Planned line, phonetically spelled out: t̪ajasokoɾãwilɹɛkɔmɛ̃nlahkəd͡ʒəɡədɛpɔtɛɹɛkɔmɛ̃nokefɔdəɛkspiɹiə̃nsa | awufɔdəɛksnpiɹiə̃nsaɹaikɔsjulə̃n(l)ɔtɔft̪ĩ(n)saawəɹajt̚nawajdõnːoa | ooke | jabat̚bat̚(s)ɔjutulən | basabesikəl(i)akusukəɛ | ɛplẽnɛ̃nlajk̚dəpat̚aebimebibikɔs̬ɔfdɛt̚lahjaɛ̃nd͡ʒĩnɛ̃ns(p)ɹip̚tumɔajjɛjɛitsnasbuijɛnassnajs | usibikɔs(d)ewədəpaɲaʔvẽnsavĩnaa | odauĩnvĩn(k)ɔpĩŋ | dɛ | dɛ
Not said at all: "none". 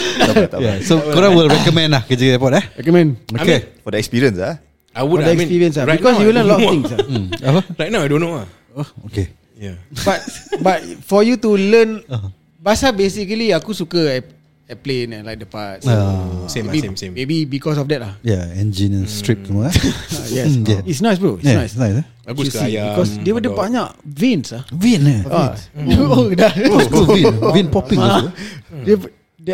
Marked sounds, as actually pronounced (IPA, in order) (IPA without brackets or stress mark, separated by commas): l, ŋ, f, i, t, d, p